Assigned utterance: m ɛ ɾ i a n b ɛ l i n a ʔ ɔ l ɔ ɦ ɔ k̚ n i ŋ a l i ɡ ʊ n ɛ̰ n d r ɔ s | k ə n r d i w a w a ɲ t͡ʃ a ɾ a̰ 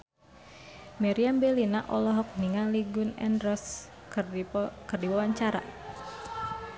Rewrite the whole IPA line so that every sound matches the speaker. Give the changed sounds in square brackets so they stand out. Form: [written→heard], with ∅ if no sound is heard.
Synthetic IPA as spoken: m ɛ ɾ i a [n→m] b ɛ l i n a ʔ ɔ l ɔ ɦ ɔ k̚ n i ŋ a l i ɡ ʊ n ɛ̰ n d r ɔ s | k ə [n→∅] r d i w a w a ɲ t͡ʃ a ɾ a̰